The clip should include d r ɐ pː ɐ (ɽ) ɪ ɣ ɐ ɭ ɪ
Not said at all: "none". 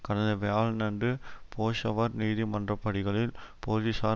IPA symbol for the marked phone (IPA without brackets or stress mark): ɽ